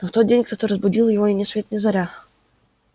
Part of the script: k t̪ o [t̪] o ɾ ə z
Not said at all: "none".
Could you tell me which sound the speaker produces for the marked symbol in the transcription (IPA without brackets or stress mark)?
t̪